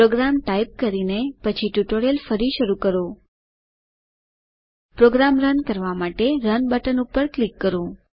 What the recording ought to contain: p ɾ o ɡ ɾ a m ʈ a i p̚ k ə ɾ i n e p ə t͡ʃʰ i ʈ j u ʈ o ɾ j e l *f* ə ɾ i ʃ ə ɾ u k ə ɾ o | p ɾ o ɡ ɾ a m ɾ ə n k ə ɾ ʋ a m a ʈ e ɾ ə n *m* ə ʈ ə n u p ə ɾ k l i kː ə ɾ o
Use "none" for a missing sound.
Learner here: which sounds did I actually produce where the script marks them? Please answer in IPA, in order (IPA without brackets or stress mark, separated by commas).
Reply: f, b